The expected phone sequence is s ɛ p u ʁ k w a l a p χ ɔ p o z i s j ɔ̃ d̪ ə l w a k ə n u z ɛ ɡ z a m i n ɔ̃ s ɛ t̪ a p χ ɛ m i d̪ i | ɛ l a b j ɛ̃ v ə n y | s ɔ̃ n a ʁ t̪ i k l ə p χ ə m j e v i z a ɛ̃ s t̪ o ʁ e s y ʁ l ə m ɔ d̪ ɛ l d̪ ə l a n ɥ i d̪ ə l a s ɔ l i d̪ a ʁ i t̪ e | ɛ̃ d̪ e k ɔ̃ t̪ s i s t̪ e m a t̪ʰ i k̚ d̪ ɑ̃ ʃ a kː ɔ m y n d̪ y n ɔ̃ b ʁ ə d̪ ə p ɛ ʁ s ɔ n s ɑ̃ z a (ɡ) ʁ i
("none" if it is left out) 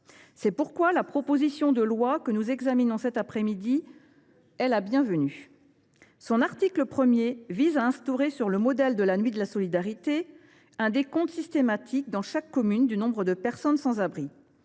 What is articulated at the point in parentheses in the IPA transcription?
b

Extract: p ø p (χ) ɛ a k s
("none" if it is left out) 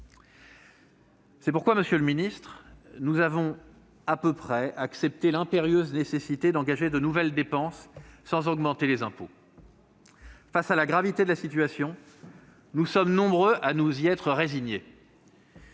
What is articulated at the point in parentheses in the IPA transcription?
χ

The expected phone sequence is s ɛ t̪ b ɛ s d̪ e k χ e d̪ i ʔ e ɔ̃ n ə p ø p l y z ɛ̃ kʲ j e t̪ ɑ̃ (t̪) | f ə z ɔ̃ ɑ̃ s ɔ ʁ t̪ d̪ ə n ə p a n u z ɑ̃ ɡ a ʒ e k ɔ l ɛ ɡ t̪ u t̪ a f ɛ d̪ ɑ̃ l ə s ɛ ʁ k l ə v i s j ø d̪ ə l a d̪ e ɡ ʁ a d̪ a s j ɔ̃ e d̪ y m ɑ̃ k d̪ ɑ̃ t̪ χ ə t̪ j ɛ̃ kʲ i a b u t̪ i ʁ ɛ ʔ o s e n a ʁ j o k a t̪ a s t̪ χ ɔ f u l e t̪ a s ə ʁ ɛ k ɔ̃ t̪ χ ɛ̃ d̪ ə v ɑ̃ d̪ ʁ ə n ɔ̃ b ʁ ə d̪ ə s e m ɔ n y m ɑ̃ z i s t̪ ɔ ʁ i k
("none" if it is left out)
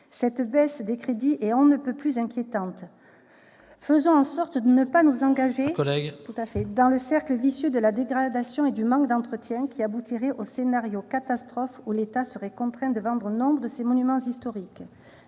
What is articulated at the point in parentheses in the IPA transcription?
t̪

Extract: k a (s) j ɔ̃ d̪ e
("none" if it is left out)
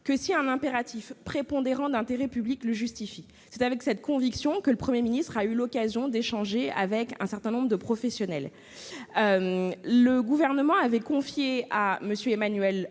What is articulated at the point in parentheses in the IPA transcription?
z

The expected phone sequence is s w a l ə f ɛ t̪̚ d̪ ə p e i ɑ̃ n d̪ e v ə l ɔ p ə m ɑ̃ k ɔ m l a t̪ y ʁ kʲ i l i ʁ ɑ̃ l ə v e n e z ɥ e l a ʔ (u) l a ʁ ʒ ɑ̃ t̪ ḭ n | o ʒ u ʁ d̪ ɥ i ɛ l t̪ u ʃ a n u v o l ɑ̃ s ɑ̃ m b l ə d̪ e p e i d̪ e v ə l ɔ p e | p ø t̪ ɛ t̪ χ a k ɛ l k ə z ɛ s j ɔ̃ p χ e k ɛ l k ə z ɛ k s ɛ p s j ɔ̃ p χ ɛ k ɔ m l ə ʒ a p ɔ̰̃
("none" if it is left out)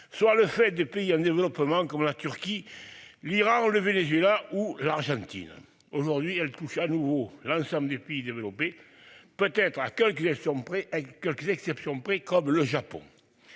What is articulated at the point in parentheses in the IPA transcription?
u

